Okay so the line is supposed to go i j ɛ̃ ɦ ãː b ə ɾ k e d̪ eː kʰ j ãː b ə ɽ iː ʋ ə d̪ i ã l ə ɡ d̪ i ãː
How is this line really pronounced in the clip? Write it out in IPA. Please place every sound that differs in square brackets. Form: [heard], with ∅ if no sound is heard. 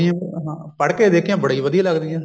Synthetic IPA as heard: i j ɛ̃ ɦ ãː [p] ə [ɽ] k e d̪ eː kʰ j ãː b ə ɽ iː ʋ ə d̪ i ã l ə ɡ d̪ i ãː